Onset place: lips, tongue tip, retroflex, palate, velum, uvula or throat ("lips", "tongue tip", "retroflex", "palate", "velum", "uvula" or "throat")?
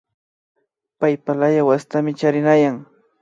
lips